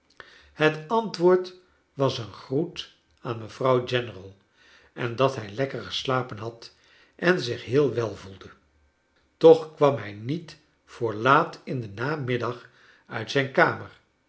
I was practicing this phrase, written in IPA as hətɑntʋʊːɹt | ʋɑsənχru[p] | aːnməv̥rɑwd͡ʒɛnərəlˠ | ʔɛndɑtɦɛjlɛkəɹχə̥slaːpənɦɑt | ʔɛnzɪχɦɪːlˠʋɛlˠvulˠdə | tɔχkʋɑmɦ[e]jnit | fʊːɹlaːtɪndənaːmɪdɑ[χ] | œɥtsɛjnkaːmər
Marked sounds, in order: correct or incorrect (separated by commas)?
incorrect, incorrect, correct